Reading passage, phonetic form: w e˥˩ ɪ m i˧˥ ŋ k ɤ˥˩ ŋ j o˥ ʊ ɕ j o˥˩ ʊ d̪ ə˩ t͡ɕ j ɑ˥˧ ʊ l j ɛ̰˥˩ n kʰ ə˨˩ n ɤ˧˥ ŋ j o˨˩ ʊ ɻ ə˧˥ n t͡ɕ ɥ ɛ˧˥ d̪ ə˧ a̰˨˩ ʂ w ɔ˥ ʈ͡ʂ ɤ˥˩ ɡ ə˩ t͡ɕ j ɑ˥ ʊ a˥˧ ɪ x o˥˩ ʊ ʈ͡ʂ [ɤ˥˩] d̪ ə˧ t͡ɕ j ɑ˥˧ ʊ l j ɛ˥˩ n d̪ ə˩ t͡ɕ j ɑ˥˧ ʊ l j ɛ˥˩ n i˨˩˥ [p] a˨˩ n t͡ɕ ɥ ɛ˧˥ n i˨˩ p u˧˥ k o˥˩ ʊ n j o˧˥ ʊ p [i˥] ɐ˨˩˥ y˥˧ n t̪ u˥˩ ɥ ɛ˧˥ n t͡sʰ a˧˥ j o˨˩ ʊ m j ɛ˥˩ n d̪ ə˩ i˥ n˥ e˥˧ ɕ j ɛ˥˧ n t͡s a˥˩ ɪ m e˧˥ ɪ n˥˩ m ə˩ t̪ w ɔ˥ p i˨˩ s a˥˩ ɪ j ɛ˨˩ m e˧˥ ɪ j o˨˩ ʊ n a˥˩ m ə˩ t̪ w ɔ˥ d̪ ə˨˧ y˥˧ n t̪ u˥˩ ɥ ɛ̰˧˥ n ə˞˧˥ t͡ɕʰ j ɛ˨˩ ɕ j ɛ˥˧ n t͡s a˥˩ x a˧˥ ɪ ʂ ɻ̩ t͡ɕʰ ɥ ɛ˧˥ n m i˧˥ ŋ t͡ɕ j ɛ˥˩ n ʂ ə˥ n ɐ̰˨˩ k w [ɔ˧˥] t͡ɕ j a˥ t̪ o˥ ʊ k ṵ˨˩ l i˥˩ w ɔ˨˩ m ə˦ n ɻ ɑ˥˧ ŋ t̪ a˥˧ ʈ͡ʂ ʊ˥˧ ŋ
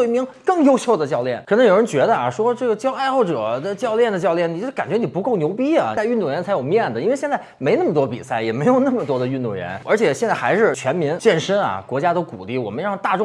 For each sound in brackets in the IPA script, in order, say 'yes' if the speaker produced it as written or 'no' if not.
no, no, yes, yes

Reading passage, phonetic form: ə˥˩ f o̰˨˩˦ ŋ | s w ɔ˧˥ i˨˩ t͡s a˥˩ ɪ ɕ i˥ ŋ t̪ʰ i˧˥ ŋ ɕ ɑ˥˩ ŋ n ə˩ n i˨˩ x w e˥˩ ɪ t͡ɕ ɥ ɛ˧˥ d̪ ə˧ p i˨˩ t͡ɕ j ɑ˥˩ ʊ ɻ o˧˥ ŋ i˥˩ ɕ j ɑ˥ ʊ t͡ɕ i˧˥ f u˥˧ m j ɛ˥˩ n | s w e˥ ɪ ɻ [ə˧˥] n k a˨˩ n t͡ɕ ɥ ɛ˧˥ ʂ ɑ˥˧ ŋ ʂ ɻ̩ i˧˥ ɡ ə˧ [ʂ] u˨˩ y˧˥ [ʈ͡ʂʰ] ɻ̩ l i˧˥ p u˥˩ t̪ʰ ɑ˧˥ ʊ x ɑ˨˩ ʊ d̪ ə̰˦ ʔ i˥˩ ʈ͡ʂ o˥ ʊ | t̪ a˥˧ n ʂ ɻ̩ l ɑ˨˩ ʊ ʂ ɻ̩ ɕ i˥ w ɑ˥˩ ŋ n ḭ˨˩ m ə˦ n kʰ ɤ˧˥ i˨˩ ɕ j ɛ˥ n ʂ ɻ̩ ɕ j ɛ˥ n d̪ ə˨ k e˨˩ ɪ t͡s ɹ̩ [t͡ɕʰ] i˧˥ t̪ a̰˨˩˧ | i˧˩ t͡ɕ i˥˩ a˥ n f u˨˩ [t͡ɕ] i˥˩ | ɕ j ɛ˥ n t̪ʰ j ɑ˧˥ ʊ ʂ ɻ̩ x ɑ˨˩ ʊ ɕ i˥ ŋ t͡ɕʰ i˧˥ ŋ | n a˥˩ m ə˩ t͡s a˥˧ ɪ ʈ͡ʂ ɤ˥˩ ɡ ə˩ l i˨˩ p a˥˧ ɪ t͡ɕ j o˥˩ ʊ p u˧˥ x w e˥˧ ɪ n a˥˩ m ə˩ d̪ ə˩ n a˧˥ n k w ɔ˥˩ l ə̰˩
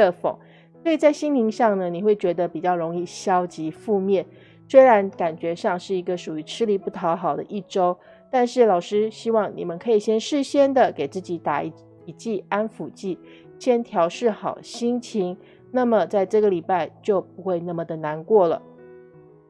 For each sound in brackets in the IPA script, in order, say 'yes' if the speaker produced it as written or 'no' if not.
no, yes, yes, no, yes

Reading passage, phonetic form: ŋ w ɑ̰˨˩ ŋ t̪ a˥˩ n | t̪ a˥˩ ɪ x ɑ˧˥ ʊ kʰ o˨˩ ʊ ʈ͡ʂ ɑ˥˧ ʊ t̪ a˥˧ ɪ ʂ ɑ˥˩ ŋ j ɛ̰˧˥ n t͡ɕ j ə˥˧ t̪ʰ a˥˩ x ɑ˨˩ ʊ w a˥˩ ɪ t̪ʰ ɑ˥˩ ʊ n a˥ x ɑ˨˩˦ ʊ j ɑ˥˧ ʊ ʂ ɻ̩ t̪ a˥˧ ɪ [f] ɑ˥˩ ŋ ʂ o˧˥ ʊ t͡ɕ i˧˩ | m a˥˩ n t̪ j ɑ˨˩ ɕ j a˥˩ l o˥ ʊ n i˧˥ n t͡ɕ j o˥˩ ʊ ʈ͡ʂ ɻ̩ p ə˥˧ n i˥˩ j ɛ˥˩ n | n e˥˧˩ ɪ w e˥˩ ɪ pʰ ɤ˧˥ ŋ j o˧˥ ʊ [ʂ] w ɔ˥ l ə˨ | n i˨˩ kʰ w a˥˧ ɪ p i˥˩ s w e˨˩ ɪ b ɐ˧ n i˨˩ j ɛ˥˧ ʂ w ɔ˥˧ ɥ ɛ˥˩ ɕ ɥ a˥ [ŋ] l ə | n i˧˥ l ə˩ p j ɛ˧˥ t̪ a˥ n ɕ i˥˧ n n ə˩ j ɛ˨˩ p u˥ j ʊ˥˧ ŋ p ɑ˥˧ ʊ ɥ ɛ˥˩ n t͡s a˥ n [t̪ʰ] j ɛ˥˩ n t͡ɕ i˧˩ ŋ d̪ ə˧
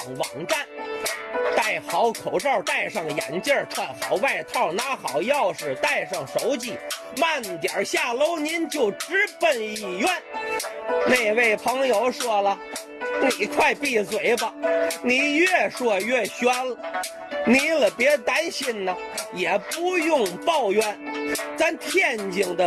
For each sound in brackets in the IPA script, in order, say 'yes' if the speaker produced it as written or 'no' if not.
no, yes, no, yes

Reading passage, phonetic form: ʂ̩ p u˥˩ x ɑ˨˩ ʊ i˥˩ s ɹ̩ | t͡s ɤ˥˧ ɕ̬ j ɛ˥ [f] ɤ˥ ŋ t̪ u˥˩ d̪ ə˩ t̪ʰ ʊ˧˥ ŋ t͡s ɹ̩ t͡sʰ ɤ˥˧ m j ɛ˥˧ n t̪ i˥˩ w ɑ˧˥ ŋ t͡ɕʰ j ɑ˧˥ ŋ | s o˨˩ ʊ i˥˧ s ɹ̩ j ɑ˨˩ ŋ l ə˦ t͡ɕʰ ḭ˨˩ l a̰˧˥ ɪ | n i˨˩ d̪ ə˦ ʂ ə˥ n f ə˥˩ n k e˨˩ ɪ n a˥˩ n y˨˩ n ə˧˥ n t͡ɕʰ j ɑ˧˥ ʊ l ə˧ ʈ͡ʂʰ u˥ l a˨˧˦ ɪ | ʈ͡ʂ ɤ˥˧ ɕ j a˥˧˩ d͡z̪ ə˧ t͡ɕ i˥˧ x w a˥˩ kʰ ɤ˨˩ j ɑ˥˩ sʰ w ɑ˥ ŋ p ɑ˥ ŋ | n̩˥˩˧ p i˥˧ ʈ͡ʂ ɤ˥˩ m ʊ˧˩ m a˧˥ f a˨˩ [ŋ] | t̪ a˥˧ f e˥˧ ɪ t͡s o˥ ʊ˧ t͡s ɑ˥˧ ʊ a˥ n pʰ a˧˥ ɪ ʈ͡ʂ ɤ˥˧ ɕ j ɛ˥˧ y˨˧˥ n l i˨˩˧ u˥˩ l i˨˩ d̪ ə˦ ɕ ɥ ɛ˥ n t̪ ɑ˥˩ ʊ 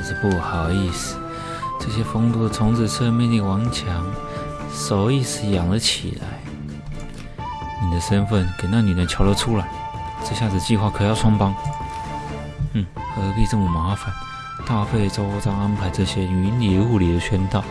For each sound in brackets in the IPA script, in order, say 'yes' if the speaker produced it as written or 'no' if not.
yes, no

